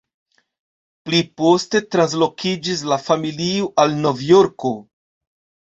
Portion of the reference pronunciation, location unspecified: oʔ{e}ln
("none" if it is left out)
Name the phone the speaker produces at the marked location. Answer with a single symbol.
a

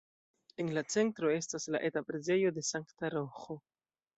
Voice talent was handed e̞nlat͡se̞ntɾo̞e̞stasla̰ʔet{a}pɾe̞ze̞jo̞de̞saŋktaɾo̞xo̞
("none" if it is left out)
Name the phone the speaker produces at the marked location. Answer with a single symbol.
a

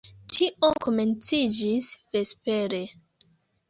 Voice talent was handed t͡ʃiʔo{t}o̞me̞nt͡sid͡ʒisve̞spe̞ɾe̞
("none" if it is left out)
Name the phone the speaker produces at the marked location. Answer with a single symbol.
k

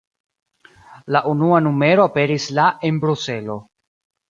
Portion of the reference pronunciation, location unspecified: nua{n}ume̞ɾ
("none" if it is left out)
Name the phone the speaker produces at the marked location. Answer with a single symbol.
n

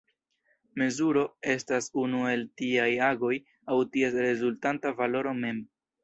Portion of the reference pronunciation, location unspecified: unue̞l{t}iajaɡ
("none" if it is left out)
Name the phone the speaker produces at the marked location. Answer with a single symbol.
t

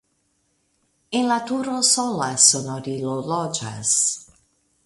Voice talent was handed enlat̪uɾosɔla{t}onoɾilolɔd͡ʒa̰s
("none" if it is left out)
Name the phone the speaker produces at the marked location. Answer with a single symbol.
s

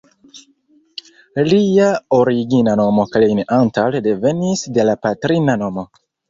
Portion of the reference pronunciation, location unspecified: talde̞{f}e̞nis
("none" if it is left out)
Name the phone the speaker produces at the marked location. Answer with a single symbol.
v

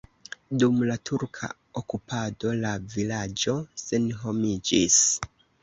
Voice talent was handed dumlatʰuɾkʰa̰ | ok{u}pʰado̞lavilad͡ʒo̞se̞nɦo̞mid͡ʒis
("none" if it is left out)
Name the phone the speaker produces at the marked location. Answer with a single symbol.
u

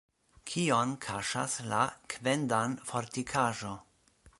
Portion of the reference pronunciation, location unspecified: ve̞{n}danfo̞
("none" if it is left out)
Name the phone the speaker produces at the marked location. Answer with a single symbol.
n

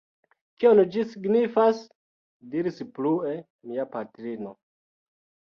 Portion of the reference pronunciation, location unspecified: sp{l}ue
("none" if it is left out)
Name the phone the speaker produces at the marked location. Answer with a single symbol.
l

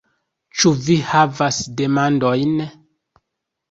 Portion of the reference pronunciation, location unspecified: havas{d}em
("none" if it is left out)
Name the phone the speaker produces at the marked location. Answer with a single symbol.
d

